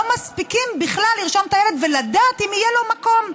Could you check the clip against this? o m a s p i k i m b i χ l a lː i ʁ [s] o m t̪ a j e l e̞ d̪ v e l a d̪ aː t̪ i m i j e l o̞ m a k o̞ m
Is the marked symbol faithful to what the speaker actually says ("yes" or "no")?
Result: no